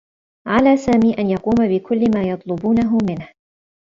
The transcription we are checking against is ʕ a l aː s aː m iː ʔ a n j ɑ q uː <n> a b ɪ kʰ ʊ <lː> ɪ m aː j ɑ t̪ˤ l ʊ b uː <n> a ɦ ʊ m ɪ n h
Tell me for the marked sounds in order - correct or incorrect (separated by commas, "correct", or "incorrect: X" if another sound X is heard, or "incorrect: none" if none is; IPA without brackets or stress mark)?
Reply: incorrect: m, correct, correct